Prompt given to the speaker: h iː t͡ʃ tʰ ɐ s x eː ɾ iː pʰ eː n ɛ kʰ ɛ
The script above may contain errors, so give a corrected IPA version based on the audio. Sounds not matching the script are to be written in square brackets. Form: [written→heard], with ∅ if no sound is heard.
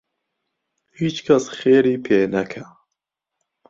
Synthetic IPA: h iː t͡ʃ [tʰ→kʰ] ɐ s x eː ɾ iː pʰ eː n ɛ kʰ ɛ